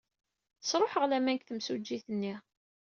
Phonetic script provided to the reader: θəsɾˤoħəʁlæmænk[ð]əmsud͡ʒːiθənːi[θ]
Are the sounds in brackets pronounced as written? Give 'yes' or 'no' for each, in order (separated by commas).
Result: no, no